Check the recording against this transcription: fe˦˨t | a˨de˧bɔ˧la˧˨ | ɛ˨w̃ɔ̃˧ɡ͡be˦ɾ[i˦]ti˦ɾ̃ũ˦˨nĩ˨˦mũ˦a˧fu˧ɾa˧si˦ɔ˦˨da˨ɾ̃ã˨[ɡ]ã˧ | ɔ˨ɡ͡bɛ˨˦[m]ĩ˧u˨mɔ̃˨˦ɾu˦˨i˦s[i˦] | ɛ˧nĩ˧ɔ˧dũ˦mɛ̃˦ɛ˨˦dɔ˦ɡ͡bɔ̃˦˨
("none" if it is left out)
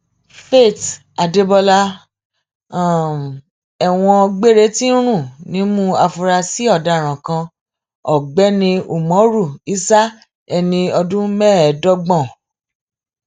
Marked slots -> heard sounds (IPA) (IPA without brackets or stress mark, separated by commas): e˦, k, n, a˦